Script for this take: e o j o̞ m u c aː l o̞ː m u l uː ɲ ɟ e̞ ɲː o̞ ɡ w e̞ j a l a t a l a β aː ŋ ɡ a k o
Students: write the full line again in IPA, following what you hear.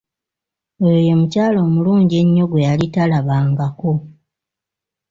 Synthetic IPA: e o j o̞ m u c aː l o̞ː m u l uː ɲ ɟ e̞ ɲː o̞ ɡ w e̞ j a l i t a l a β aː ŋ ɡ a k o